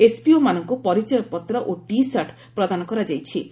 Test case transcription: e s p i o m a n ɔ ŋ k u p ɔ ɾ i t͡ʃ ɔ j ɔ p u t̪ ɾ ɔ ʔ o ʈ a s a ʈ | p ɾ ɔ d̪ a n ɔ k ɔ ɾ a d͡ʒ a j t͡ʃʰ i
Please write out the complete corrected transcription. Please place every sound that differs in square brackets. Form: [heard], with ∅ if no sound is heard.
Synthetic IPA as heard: e s p i o m a n ɔ ŋ k u p ɔ ɾ i t͡ʃ ɔ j ɔ p [ɔ] t̪ ɾ ɔ ʔ o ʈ [i] s a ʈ | p ɾ ɔ d̪ a n ɔ k ɔ ɾ a d͡ʒ a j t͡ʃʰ i